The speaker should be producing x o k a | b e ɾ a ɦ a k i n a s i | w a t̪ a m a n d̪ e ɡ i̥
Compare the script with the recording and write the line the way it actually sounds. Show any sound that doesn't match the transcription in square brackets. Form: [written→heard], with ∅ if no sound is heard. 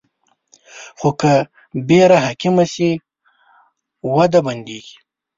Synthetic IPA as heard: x o k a | b e ɾ a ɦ a k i [n→m] a s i | w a [t̪→d̪] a [m→b] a n d̪ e ɡ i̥